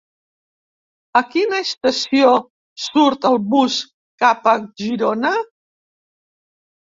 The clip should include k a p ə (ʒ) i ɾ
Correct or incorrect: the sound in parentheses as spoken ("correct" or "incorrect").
correct